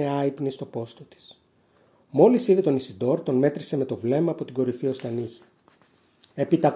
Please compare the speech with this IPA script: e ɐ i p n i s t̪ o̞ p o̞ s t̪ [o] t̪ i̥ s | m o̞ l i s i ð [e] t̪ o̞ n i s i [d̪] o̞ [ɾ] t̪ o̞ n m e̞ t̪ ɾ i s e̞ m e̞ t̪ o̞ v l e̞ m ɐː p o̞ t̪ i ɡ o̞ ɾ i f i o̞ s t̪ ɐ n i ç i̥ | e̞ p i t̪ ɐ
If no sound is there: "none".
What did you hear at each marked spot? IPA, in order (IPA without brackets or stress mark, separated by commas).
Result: o, e, d̪, ɾ